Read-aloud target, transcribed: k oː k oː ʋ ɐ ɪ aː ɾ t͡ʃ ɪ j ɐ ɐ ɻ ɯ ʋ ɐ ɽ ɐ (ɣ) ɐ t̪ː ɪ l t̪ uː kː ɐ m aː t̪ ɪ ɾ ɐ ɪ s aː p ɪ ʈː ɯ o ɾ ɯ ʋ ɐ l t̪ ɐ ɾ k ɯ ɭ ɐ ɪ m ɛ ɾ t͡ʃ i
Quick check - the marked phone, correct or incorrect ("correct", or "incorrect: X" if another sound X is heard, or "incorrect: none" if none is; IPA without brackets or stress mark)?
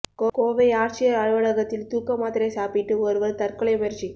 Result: correct